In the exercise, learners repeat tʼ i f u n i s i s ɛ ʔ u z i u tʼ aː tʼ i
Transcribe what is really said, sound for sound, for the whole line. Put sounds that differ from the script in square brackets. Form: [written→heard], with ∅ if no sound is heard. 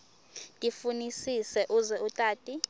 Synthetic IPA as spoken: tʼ i f u n i s i s ɛ ʔ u z [i→ɛ] u tʼ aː tʼ i